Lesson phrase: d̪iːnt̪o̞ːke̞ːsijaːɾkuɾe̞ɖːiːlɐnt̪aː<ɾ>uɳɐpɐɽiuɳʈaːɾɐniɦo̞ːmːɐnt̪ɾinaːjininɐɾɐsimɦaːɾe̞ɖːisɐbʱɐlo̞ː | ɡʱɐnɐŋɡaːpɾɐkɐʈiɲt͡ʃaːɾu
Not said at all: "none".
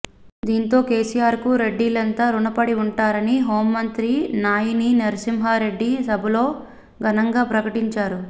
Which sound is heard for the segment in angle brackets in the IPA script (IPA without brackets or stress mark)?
ɾ